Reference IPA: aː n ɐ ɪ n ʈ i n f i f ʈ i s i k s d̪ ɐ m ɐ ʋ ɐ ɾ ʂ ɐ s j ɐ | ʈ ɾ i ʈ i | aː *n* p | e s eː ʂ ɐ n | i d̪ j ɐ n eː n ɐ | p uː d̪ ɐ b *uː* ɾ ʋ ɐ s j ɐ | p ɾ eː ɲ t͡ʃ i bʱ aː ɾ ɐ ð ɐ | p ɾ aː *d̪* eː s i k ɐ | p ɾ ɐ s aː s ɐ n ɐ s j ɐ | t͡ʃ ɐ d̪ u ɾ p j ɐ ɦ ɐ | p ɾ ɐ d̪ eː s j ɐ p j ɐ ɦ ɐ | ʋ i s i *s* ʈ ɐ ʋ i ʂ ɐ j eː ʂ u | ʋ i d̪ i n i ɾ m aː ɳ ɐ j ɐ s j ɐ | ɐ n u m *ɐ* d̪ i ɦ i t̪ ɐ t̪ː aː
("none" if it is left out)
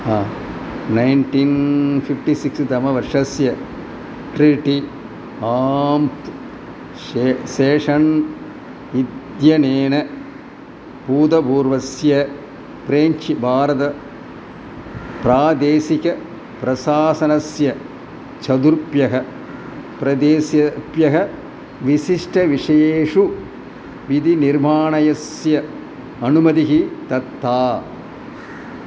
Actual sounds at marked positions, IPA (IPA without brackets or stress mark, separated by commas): m, uː, d̪, ʂ, ɐ